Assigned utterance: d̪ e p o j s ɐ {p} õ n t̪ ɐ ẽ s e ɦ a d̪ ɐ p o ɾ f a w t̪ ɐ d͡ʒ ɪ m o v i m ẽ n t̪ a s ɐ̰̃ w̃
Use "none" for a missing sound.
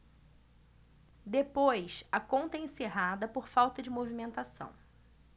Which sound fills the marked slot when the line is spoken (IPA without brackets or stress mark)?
k